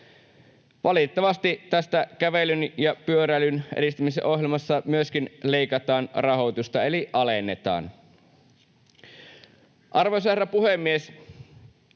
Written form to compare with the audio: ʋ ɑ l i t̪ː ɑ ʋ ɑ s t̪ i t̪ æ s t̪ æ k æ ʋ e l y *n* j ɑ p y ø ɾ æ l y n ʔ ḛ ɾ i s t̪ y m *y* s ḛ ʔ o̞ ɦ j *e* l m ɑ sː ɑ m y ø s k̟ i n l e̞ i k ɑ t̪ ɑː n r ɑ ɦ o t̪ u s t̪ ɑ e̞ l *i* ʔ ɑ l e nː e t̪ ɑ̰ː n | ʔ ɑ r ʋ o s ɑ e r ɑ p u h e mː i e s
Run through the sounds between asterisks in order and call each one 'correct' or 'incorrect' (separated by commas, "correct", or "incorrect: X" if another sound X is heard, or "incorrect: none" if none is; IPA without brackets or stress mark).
correct, incorrect: i, correct, correct